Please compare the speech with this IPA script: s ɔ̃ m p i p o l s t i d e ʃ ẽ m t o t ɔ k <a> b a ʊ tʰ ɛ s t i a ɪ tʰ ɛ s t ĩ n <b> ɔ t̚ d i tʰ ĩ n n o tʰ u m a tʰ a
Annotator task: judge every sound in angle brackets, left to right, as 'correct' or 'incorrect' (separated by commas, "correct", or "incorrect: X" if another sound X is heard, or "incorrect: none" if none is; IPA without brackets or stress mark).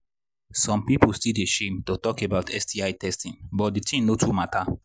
incorrect: e, correct